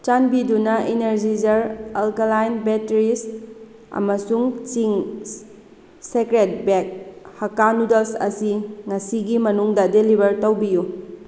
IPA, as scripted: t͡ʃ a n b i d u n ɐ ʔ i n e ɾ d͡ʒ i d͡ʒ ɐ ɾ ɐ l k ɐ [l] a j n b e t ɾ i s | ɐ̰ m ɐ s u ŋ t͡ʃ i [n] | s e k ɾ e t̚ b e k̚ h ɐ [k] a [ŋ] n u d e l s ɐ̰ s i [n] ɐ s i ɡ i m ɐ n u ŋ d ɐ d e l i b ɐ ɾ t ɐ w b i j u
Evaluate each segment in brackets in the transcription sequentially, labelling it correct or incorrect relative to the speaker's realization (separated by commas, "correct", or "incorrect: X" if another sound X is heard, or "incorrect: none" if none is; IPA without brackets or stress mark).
correct, incorrect: ŋ, correct, incorrect: none, incorrect: ŋ